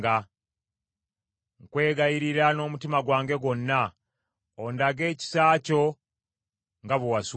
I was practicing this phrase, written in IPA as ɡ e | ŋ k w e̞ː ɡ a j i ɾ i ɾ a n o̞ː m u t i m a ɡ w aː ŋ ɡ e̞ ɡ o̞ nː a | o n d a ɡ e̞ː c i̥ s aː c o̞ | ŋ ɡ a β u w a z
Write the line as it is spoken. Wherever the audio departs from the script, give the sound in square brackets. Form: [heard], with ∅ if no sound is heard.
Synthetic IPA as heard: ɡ [a] | ŋ k w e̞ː ɡ a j i ɾ i ɾ a n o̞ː m u t i m a ɡ w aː ŋ ɡ e̞ ɡ o̞ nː a | o n d a ɡ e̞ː c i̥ s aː c o̞ | ŋ ɡ a β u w a [s]

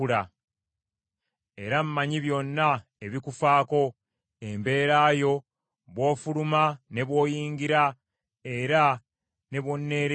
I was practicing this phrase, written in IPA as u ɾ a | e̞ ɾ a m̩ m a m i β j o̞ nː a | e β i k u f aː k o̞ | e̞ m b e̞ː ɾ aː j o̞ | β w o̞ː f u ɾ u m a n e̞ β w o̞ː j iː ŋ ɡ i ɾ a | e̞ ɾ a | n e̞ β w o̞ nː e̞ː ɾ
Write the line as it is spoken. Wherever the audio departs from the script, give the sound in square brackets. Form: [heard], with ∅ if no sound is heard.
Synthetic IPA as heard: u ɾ a | e̞ ɾ a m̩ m a [ɲ] i β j o̞ nː a | e β i k u f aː k o̞ | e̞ m b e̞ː ɾ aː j o̞ | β w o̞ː f u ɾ u m a n e̞ β w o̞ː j iː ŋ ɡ i ɾ a | e̞ ɾ a | n e̞ β w o̞ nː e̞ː ɾ

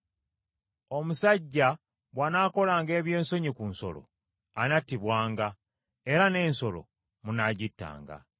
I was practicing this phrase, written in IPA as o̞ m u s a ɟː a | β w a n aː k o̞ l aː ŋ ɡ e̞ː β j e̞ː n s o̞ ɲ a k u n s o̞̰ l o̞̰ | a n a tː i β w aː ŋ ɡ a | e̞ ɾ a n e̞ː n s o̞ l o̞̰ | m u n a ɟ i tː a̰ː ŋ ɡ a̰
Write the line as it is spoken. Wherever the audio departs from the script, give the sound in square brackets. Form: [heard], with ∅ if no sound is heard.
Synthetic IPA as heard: o̞ m u s a ɟː a | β w a n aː k o̞ l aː ŋ ɡ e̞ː β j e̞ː n s o̞ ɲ [i] k u n s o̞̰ l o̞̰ | a n a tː i β w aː ŋ ɡ a | e̞ ɾ a n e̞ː n s o̞ l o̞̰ | m u n a ɟ i tː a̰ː ŋ ɡ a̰

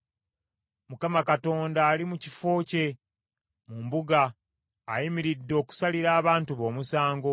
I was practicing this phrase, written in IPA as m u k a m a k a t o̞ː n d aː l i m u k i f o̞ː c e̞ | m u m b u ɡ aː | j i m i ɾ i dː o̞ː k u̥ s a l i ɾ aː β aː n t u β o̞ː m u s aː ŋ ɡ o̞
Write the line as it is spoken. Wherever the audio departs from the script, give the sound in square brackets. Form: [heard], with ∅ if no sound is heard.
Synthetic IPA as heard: m u k a m a k a t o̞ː n d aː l i m u [c] i f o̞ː c e̞ | m u m b u ɡ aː | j i m i ɾ i dː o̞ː k u̥ s a l i ɾ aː β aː n t u β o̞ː m u s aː ŋ ɡ o̞

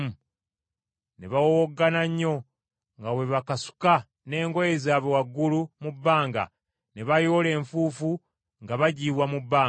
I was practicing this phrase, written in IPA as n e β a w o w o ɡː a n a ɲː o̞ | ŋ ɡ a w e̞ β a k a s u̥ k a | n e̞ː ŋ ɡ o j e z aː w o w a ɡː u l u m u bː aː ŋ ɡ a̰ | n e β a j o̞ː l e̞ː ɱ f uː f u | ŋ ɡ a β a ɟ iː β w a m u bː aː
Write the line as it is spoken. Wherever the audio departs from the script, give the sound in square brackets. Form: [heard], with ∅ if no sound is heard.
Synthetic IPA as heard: n e β a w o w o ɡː a n a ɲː o̞ | ŋ ɡ a w e̞ β a k a s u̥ k a | n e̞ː ŋ ɡ o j e z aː [β] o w a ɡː u l u m u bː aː ŋ ɡ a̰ | n e β a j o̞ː l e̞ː ɱ f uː f u | ŋ ɡ a β a ɟ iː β w a m u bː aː

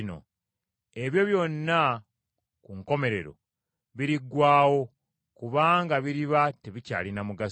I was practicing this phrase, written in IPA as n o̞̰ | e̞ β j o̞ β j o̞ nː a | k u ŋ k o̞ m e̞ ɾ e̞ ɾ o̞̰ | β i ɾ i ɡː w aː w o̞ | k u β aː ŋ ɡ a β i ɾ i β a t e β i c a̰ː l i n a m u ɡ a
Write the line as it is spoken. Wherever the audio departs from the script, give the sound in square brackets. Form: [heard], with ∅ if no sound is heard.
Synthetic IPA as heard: n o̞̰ | e̞ β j o̞ β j o̞ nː a | k u ŋ k o̞ m e̞ ɾ e̞ ɾ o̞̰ | β i ɾ i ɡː w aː w o̞ | k u β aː ŋ ɡ a β i ɾ i β a t e β i c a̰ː l i n a m u ɡ a

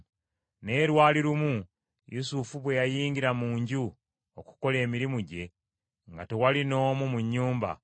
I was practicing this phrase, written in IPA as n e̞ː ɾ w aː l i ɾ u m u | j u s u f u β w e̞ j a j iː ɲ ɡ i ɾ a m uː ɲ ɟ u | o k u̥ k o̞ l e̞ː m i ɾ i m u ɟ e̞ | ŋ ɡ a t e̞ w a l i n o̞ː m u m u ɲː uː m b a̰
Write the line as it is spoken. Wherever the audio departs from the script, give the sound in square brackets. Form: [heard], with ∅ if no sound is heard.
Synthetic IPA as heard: n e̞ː ɾ w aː l i ɾ u m u | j u s u f u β w e̞ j a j iː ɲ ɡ i ɾ a m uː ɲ ɟ u | o k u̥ k o̞ l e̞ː m i ɾ i m u ɟ e̞ | ŋ ɡ a t e̞ w a l i n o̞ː m u m u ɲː uː m b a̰

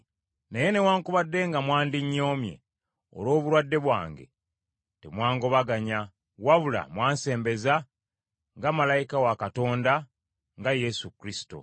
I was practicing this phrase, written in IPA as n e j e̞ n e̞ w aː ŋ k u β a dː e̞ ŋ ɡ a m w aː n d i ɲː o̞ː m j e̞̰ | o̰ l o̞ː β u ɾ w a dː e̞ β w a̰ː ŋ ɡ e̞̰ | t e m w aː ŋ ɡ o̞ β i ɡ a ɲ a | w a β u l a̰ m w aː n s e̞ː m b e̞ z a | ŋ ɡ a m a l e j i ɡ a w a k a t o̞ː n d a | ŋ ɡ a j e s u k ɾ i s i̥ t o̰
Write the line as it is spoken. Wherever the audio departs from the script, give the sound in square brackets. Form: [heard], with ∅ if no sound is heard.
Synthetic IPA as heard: n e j e̞ n e̞ w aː ŋ k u β a dː e̞ ŋ ɡ a m w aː n d i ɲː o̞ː m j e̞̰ | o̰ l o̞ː β u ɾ w a dː e̞ β w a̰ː ŋ ɡ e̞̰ | t e m w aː ŋ ɡ o̞ β [a] ɡ a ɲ a | w a β u l a̰ m w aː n s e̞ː m b e̞ z a | ŋ ɡ a m a l [a] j i [k] a w a k a t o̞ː n d a | ŋ ɡ a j e s u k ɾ i s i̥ t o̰

